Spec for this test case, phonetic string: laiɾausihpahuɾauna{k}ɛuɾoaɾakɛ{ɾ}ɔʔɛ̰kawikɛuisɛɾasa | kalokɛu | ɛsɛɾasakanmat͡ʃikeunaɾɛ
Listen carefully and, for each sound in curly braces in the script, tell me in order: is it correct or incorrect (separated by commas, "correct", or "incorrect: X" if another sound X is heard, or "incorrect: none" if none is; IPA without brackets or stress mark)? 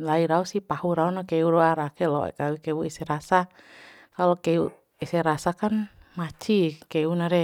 correct, incorrect: l